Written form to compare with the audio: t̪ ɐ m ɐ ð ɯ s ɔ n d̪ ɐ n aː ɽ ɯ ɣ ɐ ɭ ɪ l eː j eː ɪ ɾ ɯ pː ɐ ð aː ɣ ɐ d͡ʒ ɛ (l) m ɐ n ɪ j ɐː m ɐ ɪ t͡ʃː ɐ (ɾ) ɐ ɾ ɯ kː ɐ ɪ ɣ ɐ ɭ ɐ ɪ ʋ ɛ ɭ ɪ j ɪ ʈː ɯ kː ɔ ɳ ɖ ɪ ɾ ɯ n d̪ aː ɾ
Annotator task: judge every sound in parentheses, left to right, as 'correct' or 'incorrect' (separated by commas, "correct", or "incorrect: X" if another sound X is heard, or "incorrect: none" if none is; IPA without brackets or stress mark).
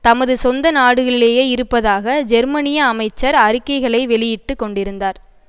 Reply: incorrect: ɾ, correct